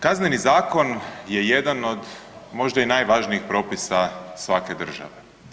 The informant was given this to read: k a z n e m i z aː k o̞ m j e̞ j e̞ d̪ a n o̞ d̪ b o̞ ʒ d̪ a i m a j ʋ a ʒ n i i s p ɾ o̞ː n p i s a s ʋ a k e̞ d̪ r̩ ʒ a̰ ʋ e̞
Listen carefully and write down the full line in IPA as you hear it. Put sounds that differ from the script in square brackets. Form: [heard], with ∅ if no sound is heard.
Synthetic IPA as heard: k a z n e [n] i z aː k o̞ [n] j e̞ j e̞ d̪ a n o̞ d̪ [m] o̞ ʒ d̪ a i [n] a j ʋ a ʒ n i i [x] p ɾ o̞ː [∅] p i s a s ʋ a k e̞ d̪ r̩ ʒ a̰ ʋ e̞